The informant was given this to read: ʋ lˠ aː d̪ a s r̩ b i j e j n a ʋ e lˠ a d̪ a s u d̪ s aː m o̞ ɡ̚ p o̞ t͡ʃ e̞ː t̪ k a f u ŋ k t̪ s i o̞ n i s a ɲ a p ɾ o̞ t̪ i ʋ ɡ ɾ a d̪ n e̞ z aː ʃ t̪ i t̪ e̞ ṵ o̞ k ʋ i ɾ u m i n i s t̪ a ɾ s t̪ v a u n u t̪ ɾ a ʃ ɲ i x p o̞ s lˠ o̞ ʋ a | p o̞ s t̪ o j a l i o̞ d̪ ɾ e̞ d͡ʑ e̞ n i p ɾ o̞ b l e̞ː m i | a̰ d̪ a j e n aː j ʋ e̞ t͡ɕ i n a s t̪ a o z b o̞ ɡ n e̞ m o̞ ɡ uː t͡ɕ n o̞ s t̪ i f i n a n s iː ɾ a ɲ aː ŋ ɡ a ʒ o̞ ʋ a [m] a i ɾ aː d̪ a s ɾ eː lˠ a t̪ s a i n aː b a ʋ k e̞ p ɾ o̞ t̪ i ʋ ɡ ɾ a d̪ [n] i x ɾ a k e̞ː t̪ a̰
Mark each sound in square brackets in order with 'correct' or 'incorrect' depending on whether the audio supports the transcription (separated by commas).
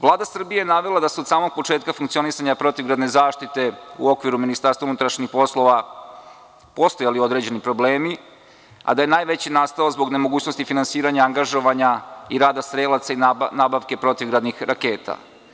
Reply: incorrect, correct